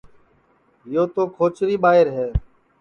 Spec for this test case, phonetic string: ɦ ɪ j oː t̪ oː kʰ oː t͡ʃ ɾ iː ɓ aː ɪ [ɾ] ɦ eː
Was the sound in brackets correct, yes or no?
yes